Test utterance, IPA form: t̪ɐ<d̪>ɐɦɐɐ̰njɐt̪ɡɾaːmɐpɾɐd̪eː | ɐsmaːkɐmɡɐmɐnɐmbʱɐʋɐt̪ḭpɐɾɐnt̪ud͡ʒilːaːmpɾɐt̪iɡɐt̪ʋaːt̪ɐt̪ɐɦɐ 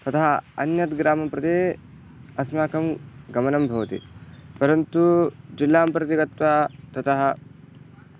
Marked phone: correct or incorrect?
incorrect